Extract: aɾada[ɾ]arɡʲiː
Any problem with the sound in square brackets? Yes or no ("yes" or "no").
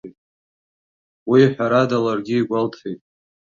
yes